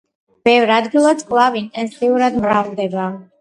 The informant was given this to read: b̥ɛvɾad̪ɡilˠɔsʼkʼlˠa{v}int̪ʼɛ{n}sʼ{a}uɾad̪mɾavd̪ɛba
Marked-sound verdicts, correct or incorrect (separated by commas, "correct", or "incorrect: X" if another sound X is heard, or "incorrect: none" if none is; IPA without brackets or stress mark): correct, correct, incorrect: i